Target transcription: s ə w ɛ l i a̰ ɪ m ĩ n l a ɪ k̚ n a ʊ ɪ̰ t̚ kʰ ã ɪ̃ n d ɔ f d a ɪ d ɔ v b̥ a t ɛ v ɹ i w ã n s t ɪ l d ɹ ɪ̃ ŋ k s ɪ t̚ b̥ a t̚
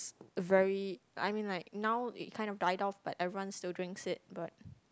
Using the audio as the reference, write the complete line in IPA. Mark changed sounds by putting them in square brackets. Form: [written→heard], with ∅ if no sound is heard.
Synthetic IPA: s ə [w→v] ɛ [l→ɹ] i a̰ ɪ m ĩ n l a ɪ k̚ n a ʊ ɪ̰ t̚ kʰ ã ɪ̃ n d ɔ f d a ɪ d ɔ [v→f] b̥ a t ɛ v ɹ i w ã n s t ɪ l d ɹ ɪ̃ ŋ k s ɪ t̚ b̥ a t̚